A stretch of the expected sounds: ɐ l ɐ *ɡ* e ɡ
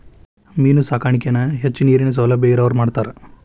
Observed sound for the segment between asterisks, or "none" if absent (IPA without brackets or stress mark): b